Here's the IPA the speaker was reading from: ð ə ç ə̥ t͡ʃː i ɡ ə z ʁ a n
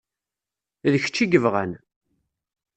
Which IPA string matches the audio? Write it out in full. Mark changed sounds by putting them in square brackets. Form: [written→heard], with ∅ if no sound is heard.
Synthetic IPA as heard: ð ə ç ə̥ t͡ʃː i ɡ ə [z→v] ʁ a n